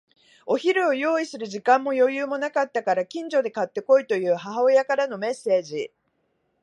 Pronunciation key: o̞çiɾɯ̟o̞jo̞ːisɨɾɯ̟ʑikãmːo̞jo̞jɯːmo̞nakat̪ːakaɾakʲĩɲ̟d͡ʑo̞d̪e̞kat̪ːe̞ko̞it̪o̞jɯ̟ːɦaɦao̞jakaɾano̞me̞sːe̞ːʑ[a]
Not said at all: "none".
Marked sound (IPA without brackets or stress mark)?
i